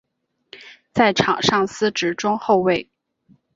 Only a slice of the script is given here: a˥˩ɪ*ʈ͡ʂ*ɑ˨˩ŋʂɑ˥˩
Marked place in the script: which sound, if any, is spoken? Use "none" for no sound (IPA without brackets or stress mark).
ʈ͡ʂʰ